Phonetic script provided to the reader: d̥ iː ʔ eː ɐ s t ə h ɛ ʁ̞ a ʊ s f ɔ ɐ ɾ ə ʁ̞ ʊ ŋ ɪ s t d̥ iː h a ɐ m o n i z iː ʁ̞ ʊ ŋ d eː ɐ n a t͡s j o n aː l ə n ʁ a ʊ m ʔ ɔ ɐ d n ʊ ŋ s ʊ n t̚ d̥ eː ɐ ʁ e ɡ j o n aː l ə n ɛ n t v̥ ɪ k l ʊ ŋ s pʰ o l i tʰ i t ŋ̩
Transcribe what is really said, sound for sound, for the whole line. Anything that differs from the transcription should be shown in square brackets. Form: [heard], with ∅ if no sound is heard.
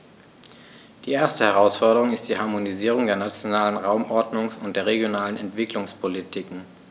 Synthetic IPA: d̥ iː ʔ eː ɐ s t ə h ɛ ʁ̞ a ʊ s f ɔ ɐ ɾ ə ʁ̞ ʊ ŋ ɪ s t d̥ iː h a ɐ m o n i z iː ʁ̞ ʊ ŋ d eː ɐ n a t͡s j o n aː l ə n ʁ a ʊ m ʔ ɔ ɐ d n ʊ ŋ s ʊ n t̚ d̥ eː ɐ ʁ e ɡ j o n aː l ə n ɛ n t v̥ ɪ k l ʊ ŋ s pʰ o l i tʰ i [k] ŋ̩